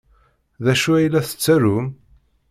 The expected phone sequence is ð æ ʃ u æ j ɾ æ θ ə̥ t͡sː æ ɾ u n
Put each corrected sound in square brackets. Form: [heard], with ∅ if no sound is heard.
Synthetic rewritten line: ð æ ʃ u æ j [l] æ θ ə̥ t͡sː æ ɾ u [m]